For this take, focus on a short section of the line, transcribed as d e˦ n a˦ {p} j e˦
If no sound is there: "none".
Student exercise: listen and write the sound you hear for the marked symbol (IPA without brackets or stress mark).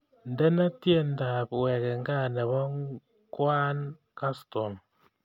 t